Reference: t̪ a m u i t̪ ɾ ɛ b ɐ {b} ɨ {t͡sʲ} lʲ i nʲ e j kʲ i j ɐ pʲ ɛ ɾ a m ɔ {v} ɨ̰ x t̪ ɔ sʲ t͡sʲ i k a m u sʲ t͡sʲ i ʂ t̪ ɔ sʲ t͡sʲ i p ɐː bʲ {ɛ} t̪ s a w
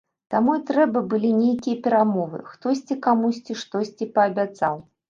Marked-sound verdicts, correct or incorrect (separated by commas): correct, incorrect, correct, incorrect